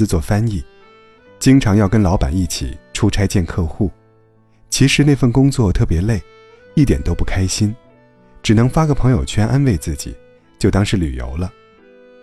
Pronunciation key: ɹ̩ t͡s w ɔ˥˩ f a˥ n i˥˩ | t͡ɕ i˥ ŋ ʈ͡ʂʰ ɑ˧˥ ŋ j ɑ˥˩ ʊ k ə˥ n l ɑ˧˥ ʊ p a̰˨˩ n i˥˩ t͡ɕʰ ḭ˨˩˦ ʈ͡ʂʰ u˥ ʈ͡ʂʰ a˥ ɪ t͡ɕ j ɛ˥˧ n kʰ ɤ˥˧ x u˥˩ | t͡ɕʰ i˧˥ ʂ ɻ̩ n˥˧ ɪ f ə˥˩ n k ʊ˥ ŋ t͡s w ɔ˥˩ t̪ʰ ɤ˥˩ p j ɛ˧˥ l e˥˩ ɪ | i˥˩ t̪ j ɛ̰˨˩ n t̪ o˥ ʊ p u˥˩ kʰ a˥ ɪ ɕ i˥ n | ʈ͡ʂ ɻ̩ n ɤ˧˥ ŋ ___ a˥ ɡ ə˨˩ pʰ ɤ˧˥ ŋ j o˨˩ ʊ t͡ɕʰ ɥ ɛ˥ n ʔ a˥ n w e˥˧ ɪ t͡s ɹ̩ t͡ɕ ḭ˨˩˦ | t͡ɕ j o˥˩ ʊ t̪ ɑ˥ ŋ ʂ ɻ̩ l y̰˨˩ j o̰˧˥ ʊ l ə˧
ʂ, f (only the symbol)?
f